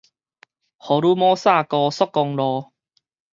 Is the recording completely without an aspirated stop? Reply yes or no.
yes